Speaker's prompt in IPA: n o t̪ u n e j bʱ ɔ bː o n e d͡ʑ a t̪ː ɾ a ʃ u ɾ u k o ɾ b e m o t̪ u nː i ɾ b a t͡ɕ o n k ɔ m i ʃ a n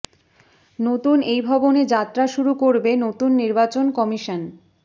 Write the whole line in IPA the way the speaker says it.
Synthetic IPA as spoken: n o t̪ u n e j bʱ ɔ b o n e d͡ʑ a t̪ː ɾ a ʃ u ɾ u k o ɾ b e n o t̪ u nː i ɾ b a t͡ɕ o n k ɔ m i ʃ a n